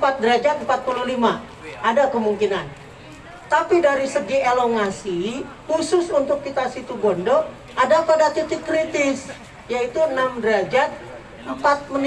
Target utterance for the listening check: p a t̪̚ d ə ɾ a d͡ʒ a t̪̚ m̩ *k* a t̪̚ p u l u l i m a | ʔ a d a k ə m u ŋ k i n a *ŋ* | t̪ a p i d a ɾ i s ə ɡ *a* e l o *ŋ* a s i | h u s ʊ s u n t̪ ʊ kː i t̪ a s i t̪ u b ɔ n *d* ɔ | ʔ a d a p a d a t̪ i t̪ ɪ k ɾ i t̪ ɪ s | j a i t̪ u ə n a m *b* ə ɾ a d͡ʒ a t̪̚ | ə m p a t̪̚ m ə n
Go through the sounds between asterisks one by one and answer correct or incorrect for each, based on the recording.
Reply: incorrect: p, incorrect: n, incorrect: i, correct, correct, incorrect: d

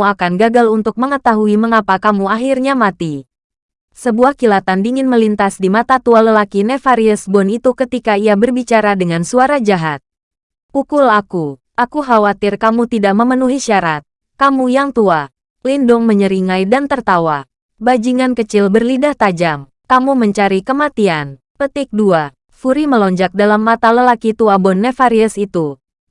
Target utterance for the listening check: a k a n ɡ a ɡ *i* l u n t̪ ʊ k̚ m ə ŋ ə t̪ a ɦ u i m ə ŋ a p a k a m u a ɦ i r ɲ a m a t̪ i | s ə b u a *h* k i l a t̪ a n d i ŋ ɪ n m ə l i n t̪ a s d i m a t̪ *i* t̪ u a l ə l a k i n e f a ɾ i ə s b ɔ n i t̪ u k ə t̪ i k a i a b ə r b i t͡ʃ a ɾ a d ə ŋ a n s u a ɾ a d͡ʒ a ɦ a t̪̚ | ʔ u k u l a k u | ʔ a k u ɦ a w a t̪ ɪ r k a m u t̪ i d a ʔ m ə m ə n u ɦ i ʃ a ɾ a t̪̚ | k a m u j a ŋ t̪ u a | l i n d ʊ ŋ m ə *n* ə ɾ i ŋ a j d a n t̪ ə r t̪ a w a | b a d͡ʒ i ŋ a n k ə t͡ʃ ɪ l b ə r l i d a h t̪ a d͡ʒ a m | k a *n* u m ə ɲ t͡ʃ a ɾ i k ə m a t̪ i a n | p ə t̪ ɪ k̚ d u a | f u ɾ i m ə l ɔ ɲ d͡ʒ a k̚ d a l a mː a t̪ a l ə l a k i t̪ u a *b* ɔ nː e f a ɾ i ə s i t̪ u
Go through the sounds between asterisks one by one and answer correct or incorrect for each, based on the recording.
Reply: incorrect: a, correct, incorrect: a, incorrect: ɲ, incorrect: m, correct

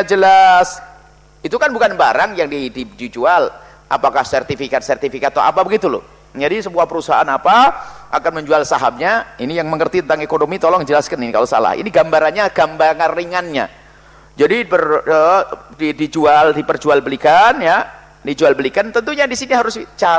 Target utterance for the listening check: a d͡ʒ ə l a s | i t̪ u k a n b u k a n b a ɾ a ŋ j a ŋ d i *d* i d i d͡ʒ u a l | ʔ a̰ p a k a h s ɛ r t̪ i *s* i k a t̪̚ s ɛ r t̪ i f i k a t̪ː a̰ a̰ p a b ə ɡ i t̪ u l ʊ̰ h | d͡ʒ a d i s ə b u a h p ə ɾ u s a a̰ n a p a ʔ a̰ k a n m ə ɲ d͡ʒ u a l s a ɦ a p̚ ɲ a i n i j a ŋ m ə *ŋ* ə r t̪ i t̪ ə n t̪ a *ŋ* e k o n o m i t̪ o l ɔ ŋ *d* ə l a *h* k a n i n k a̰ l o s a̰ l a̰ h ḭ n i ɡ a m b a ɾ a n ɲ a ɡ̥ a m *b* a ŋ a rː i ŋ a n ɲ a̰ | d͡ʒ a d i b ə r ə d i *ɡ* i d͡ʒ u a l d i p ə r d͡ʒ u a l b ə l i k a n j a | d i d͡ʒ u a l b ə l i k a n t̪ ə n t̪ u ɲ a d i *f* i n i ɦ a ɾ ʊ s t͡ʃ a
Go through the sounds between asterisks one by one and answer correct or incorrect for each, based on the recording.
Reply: correct, incorrect: f, correct, correct, incorrect: d͡ʒ, incorrect: s, correct, incorrect: d, incorrect: s

